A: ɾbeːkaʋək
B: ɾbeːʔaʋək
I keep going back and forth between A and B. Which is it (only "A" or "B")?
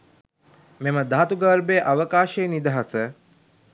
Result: B